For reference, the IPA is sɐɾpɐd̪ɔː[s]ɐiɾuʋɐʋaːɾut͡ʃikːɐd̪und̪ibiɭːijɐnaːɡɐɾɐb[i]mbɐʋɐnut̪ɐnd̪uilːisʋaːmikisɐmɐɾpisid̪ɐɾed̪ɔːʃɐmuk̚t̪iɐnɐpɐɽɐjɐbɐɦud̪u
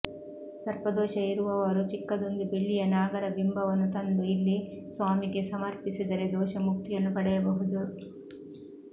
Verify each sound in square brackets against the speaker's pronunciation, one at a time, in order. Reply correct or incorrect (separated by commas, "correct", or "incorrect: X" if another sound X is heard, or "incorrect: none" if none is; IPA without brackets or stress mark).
incorrect: ʃ, correct